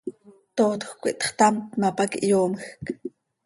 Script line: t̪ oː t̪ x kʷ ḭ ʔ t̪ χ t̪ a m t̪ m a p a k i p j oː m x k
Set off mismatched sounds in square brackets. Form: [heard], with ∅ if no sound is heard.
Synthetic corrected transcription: t̪ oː t̪ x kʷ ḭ ʔ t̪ χ t̪ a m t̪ m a p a k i [ʔ] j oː m x k